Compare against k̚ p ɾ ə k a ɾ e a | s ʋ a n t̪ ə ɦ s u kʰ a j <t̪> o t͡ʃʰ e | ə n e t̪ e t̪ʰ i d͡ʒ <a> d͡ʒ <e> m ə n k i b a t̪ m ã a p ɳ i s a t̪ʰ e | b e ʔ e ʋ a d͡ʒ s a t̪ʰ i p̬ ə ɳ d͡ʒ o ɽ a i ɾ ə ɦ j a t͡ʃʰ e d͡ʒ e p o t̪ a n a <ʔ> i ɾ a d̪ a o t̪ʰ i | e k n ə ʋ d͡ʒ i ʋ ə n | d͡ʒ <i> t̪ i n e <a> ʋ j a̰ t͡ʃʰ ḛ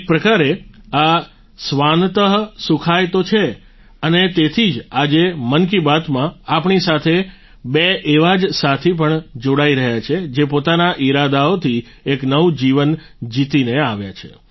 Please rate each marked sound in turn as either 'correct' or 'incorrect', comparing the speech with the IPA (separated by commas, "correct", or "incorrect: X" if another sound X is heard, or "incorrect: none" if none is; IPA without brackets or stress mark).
correct, correct, correct, correct, correct, correct